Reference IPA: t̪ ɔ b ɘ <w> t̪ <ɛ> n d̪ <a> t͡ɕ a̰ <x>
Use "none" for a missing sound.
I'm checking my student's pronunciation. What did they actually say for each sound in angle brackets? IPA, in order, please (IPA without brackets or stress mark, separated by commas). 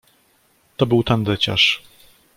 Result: w, a, ɛ, ʂ